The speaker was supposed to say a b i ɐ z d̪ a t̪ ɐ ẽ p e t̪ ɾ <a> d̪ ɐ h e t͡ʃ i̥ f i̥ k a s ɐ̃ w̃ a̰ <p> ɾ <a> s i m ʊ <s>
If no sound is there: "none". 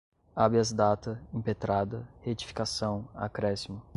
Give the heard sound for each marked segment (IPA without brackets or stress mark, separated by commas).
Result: a, k, ɛ, none